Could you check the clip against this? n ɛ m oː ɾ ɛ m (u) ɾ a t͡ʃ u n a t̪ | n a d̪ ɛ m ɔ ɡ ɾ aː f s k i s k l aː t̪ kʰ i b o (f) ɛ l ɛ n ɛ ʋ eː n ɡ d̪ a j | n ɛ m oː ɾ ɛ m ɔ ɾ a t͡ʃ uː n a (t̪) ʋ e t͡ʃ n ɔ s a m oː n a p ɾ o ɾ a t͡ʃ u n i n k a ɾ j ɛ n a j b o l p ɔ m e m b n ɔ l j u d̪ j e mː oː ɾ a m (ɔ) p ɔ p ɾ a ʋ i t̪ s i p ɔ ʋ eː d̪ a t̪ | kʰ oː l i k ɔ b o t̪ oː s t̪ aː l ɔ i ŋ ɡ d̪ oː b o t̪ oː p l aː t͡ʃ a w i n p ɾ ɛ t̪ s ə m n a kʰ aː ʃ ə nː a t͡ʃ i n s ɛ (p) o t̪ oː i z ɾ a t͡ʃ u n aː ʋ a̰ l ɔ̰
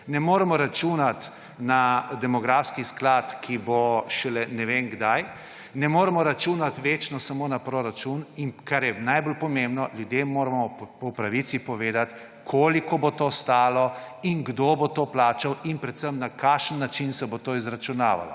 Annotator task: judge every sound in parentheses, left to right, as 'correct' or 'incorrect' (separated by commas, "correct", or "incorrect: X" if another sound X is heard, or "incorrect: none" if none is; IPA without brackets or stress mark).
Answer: incorrect: ɔ, incorrect: ʃ, correct, correct, incorrect: b